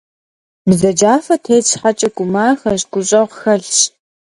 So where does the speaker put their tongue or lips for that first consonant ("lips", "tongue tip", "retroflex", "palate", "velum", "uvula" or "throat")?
lips